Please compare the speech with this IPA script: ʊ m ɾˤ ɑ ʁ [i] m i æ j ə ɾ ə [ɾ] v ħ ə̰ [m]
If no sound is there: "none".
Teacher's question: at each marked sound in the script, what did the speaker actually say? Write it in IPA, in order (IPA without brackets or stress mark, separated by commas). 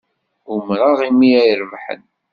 i, none, n